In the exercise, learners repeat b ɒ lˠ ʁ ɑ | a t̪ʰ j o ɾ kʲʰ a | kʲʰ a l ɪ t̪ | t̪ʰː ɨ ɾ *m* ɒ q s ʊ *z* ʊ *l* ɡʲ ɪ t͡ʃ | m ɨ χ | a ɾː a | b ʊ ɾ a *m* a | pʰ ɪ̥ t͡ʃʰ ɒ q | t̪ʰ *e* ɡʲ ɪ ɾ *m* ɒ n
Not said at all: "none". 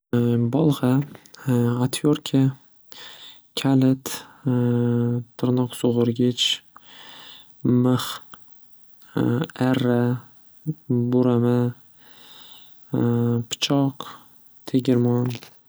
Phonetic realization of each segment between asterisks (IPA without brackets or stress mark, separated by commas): n, ʁ, ɾ, m, e, m